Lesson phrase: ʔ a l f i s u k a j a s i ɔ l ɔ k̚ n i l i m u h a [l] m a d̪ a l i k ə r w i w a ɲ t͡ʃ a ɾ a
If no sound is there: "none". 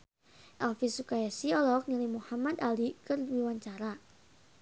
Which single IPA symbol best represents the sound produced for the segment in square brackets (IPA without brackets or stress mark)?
none